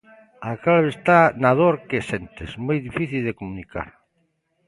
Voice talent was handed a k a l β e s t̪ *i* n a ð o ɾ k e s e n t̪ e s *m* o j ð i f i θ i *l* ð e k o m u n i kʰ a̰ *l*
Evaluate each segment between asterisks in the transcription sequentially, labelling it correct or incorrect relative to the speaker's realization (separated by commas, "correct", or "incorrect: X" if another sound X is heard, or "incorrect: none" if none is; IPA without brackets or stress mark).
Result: incorrect: a, correct, correct, incorrect: ɾ